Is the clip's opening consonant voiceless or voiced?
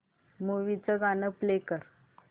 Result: voiced